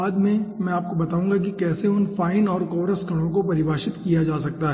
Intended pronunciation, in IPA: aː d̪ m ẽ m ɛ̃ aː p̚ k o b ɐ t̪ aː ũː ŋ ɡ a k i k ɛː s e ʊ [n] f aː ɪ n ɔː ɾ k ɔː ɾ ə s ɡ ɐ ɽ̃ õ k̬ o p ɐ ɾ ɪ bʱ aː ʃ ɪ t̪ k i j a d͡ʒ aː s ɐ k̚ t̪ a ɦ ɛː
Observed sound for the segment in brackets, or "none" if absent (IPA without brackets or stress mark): n